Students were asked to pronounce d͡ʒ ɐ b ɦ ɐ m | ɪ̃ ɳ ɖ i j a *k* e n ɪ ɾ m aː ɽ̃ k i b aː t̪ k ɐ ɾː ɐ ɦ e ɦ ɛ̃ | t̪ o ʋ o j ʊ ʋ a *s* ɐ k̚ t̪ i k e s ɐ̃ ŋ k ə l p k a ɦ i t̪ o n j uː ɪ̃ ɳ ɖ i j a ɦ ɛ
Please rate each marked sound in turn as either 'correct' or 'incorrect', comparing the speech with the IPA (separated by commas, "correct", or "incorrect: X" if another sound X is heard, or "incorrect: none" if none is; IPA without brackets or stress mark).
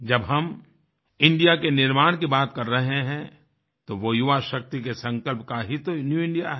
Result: correct, incorrect: ʃ